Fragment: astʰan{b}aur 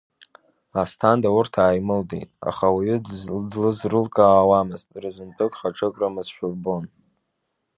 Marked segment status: incorrect: d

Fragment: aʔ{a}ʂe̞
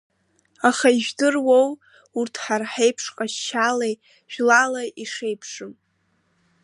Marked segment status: incorrect: i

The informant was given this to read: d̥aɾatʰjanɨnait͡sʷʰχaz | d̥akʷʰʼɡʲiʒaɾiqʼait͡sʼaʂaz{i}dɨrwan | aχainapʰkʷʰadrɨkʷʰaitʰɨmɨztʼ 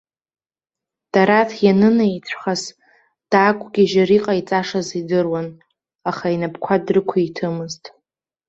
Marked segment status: correct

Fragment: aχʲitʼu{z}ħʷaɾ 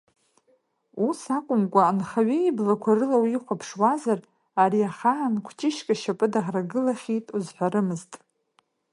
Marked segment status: correct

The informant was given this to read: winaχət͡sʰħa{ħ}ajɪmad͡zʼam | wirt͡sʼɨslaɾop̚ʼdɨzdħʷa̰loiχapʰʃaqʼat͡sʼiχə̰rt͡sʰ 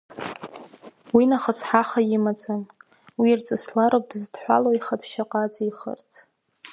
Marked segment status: incorrect: χ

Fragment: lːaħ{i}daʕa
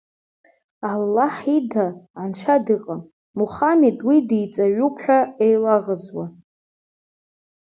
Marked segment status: correct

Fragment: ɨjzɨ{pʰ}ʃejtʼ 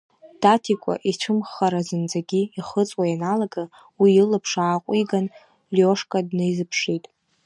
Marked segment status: correct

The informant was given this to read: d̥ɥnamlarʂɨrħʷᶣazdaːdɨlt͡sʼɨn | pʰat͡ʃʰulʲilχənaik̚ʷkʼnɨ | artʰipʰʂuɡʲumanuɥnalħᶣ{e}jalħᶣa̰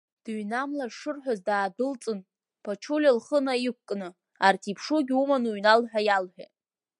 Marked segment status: incorrect: a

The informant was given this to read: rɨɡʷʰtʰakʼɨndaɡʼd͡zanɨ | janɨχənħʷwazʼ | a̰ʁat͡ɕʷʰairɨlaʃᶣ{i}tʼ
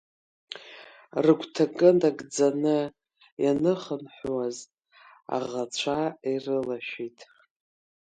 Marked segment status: correct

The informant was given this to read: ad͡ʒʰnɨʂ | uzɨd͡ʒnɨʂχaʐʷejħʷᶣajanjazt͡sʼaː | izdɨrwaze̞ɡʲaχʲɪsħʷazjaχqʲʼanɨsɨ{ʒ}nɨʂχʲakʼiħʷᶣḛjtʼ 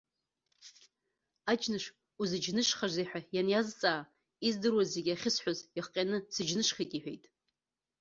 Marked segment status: incorrect: d͡ʒ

